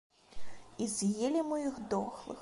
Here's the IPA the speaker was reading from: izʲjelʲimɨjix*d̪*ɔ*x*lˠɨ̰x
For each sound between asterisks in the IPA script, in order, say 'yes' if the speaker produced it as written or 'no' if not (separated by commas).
yes, yes